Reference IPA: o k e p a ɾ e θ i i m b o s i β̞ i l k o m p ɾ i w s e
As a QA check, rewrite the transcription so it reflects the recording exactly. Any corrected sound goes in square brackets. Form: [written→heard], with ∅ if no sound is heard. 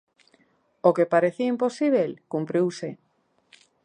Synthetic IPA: o k e p a ɾ e θ i i m [b→p] o s i β̞ [i→e] l k [o→u] m p ɾ i w s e